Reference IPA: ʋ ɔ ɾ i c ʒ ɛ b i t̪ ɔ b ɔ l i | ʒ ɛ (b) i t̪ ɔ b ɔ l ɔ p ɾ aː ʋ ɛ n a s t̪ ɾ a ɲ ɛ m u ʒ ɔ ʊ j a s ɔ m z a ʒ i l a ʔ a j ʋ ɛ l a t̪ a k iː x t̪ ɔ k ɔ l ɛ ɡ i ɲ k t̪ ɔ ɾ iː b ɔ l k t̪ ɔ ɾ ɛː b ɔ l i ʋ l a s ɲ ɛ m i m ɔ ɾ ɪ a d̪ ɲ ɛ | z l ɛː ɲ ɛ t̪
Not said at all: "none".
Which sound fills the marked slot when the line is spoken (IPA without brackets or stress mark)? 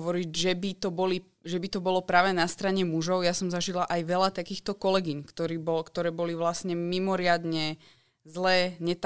b